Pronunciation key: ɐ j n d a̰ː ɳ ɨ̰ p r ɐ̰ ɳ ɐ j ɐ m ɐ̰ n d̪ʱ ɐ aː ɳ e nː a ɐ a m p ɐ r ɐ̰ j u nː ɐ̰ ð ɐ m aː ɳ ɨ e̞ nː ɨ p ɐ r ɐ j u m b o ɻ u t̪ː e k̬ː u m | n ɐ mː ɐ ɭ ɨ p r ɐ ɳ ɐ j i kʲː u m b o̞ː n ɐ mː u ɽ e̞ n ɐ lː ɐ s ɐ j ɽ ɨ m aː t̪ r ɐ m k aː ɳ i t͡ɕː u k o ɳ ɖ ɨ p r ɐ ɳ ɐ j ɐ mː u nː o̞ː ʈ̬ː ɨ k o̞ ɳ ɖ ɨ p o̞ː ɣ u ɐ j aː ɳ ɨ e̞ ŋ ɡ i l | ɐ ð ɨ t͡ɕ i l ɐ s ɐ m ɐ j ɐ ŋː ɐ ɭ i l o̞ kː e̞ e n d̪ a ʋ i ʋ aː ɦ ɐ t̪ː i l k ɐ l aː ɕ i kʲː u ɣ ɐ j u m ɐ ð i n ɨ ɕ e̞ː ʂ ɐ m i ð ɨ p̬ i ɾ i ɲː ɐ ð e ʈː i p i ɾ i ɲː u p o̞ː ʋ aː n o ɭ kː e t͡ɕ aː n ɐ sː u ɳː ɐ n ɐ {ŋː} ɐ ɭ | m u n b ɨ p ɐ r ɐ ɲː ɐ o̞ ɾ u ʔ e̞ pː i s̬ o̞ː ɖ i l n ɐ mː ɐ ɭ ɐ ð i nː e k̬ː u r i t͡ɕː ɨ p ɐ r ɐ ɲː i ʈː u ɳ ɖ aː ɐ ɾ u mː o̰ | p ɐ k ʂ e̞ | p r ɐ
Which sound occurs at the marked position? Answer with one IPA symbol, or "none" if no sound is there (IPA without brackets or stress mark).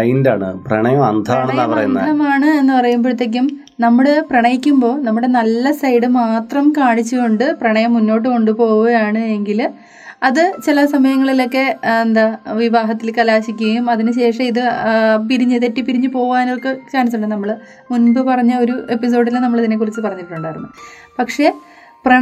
mː